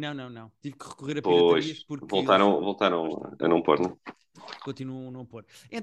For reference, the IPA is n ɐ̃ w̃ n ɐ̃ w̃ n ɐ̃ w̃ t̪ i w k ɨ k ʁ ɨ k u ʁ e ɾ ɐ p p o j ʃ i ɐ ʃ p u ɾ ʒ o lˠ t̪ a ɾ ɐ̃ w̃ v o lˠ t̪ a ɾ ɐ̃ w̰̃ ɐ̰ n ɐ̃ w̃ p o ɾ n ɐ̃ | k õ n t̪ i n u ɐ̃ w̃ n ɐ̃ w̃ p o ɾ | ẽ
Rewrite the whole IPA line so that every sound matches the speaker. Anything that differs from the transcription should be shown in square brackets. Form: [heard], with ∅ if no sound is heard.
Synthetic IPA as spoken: n ɐ̃ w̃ n ɐ̃ w̃ n ɐ̃ w̃ t̪ i [v] k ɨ [∅] ʁ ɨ k u ʁ e ɾ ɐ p p o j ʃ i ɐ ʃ p u ɾ [v] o lˠ t̪ a ɾ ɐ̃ w̃ v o lˠ t̪ a ɾ ɐ̃ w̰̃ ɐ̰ n ɐ̃ w̃ p o ɾ n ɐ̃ | k õ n t̪ i n u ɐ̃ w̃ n ɐ̃ w̃ p o ɾ | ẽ